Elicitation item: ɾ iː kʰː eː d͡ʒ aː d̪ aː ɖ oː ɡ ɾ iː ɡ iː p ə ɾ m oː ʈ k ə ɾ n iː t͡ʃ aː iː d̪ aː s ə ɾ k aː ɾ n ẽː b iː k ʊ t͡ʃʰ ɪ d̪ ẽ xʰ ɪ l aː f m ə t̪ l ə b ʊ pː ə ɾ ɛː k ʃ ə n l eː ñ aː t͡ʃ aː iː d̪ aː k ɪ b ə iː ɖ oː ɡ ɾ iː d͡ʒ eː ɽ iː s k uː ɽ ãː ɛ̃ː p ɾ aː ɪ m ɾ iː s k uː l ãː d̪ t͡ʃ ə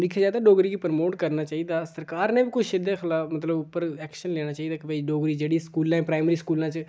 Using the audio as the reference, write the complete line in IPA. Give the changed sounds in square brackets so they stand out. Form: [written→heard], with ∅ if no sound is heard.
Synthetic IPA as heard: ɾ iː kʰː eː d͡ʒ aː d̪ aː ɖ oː ɡ ɾ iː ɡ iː p ə ɾ m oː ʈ k ə ɾ n [iː→aː] t͡ʃ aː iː d̪ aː s ə ɾ k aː ɾ n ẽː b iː k ʊ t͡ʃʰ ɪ d̪ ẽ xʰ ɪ l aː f m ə t̪ l ə b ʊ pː ə ɾ ɛː k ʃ ə n l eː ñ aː t͡ʃ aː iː d̪ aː k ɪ b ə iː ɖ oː ɡ ɾ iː d͡ʒ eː ɽ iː s k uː [ɽ→l] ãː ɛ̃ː p ɾ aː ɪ m ɾ iː s k uː l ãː [d̪→∅] t͡ʃ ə